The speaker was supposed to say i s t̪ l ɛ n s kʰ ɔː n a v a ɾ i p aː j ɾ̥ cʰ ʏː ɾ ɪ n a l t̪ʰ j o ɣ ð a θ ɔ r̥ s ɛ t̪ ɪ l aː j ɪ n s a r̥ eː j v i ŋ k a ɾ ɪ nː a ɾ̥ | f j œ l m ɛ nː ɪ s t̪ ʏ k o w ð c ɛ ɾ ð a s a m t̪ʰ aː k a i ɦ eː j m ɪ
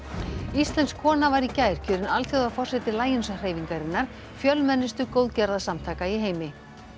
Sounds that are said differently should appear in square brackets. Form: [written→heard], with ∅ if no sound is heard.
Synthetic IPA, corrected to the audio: i s t̪ l ɛ n s kʰ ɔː n a v a ɾ i [p→c] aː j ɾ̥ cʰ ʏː ɾ ɪ n a l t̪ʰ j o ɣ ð a [θ→f] ɔ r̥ s ɛ t̪ ɪ l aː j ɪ n s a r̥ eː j v i ŋ k a ɾ ɪ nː a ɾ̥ | f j œ l m ɛ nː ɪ s t̪ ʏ k o w ð c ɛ ɾ ð a s a m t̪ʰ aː k a i ɦ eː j m ɪ

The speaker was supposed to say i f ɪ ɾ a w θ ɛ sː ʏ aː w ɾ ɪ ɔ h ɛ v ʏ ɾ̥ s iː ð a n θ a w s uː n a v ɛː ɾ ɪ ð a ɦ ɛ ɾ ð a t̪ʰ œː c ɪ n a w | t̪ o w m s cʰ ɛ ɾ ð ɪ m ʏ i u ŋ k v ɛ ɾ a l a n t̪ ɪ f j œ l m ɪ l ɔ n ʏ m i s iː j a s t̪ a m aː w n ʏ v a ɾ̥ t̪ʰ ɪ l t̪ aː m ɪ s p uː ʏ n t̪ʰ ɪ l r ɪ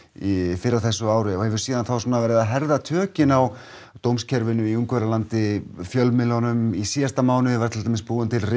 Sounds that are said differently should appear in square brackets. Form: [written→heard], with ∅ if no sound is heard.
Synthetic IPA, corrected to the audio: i f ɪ ɾ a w θ ɛ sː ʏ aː w ɾ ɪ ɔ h ɛ v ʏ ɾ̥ s iː ð a n θ a w s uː n a v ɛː ɾ ɪ ð a ɦ ɛ ɾ ð a t̪ʰ œː c ɪ n a w | t̪ o w m s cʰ ɛ ɾ [ð→v] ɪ [m→n] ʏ i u ŋ k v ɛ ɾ a l a n t̪ ɪ f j œ l m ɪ l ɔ n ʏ m i s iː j a s t̪ a m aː w n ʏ v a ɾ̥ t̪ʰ ɪ l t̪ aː m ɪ s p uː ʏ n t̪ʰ ɪ l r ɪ

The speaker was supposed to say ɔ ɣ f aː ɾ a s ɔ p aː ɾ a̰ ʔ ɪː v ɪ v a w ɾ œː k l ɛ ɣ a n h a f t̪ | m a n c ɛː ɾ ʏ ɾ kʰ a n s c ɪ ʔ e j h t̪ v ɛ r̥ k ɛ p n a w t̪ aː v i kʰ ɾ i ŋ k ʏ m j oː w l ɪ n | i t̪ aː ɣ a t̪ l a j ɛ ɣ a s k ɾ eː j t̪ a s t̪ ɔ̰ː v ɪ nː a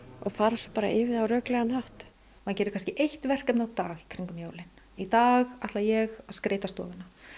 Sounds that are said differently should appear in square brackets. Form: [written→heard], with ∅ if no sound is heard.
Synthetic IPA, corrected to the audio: ɔ ɣ f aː ɾ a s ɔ p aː ɾ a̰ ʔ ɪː v ɪ [v→ð] a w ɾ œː k l ɛ ɣ a n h a [f→h] t̪ | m a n c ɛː ɾ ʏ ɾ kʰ a n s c ɪ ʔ e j h t̪ v ɛ r̥ k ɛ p n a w t̪ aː [v→ɣ] i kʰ ɾ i ŋ k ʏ m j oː w l ɪ n | i t̪ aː ɣ a t̪ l a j ɛ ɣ a s k ɾ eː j t̪ a s t̪ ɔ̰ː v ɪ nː a

